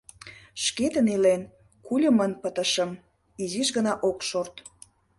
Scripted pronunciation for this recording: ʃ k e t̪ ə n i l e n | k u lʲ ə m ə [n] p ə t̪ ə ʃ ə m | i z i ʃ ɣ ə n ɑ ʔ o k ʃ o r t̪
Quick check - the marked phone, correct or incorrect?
correct